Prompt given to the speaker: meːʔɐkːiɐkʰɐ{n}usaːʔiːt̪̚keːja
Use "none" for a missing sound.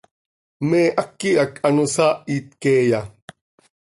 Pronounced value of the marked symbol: n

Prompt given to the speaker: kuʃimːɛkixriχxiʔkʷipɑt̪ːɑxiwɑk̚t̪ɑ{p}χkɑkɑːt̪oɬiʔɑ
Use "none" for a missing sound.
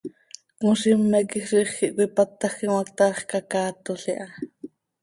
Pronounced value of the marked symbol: none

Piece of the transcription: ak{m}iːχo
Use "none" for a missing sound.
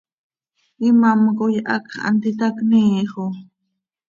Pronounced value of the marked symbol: n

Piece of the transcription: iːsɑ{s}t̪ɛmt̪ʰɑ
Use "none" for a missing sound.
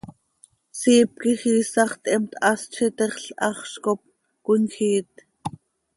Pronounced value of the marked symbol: χ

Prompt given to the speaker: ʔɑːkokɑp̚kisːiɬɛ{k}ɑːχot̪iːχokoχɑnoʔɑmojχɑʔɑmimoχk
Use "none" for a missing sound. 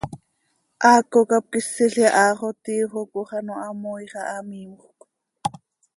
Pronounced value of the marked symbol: ʔ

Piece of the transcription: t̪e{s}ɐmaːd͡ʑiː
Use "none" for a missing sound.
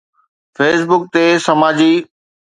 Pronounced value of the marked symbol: s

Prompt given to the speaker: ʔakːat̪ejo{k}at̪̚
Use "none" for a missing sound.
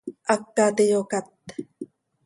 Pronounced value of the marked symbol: k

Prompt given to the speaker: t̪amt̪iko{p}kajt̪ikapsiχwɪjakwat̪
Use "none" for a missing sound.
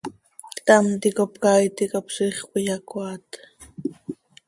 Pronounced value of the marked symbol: p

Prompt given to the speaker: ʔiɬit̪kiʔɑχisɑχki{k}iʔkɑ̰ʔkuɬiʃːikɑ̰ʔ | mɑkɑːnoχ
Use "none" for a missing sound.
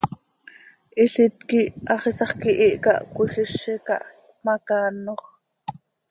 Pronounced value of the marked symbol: ʔ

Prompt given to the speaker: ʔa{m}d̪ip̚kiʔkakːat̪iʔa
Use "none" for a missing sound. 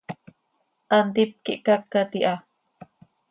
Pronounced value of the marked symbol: n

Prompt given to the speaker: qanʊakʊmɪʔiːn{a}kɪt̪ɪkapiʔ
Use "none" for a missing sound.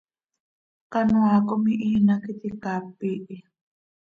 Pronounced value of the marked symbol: a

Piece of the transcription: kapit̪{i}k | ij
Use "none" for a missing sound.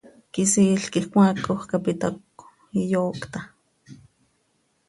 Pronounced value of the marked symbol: a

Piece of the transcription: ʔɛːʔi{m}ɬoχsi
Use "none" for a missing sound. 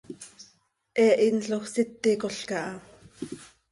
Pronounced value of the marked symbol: n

